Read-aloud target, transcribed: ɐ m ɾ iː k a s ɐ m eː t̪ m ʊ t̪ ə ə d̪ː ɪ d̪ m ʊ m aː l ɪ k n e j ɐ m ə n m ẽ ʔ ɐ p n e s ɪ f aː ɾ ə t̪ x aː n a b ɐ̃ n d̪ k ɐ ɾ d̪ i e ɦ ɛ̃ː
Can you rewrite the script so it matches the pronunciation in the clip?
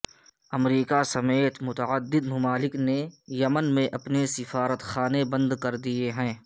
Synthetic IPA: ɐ m ɾ iː k a s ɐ m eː t̪ m ʊ t̪ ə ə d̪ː ɪ d̪ m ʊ m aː l ɪ k n e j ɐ m ə n m ẽ ʔ ɐ p n e s ɪ f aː ɾ ə t̪ x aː n e b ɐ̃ n d̪ k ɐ ɾ d̪ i e ɦ ɛ̃ː